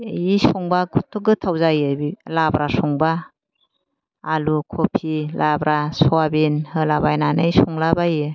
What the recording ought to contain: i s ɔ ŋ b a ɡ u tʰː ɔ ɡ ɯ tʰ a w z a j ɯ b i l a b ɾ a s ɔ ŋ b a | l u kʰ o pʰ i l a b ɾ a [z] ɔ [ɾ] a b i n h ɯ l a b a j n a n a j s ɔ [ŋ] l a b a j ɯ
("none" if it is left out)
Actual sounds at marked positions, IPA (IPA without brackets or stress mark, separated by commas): s, none, ŋ